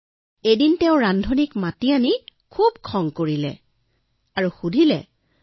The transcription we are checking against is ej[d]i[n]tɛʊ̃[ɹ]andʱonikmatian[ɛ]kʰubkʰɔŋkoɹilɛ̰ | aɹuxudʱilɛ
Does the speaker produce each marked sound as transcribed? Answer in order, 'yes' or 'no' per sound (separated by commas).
yes, yes, yes, no